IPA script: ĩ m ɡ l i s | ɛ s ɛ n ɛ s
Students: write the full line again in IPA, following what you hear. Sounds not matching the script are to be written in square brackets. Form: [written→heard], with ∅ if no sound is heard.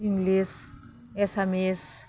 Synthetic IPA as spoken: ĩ [m→ŋ] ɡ l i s | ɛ s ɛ [n→m] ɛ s